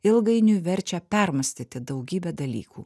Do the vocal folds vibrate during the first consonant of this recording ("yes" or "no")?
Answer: yes